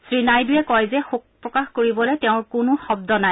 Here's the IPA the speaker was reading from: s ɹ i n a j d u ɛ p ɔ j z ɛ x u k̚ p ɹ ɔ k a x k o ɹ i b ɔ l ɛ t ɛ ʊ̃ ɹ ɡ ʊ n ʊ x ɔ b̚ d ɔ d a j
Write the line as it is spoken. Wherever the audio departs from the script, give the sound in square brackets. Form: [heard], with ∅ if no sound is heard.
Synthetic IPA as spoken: s ɹ i n a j d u ɛ [k] ɔ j z ɛ x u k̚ p ɹ ɔ k a x k o ɹ i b ɔ l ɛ t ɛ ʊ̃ ɹ [k] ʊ n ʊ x ɔ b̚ d ɔ [n] a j